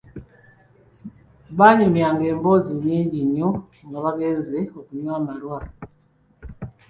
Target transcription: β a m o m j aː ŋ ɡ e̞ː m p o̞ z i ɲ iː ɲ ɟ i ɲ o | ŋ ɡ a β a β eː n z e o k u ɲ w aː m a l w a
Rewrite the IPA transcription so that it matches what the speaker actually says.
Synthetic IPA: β a ɲ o m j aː ŋ ɡ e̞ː m b o̞ z i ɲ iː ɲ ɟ i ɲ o | ŋ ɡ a β a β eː n z e o k u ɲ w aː m a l w a